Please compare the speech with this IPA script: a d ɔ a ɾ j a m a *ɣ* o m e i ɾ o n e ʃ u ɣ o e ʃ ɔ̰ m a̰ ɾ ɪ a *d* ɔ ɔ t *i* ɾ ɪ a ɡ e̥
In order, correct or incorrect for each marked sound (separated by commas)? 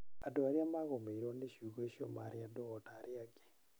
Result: correct, correct, incorrect